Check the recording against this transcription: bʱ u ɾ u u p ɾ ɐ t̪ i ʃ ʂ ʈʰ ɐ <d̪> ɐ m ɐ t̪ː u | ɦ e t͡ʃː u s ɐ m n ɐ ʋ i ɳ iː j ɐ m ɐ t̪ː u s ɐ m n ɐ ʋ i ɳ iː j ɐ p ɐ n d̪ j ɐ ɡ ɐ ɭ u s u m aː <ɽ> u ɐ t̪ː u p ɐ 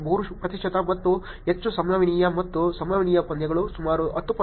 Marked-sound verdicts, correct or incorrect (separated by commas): incorrect, incorrect